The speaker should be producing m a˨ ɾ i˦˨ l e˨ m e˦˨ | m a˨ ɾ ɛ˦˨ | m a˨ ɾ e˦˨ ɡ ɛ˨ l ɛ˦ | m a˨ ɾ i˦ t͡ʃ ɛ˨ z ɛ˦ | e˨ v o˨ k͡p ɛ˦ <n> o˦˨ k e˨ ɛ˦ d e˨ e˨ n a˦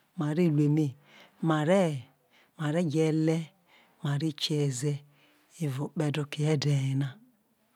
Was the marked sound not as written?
yes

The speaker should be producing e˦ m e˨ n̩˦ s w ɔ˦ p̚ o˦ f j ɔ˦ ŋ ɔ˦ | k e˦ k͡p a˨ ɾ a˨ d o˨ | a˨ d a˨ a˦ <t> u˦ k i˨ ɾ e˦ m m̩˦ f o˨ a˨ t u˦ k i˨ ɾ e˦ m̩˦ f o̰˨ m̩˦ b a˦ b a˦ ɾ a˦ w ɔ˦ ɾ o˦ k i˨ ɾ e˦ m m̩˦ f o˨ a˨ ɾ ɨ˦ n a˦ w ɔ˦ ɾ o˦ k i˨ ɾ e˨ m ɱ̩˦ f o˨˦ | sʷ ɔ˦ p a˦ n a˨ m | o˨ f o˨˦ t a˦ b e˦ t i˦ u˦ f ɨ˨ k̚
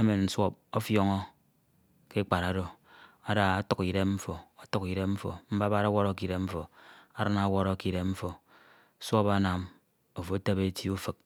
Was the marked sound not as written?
no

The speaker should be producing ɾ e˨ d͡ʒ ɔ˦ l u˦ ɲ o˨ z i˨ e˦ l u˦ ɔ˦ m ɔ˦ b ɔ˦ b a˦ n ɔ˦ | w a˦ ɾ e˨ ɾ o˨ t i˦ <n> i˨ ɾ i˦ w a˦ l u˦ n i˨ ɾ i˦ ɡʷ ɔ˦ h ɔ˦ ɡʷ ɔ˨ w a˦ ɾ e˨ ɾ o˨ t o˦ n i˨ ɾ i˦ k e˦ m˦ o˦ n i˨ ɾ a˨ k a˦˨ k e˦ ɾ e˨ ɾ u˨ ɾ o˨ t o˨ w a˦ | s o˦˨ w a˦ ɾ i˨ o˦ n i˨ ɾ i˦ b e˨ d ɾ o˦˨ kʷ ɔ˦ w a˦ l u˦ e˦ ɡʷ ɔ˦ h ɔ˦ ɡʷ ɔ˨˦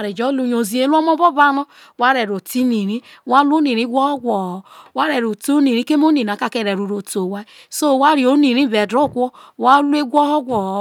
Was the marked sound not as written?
no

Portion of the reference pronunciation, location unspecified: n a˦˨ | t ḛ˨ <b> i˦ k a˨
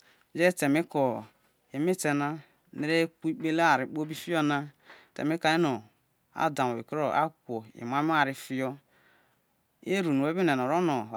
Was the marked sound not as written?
yes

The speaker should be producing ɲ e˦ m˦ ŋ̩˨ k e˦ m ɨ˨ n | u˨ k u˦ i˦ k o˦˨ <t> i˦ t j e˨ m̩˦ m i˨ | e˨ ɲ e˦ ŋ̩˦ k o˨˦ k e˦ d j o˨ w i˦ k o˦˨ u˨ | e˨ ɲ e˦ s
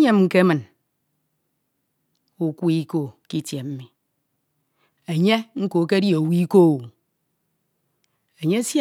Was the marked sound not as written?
yes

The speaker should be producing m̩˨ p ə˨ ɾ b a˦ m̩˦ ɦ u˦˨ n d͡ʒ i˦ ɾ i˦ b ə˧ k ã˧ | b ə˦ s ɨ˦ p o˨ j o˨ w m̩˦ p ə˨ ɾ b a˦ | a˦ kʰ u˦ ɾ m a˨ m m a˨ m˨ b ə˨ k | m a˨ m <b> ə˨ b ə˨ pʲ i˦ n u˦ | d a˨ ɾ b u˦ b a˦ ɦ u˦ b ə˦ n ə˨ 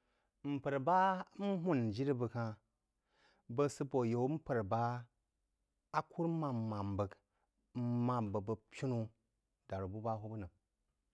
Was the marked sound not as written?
no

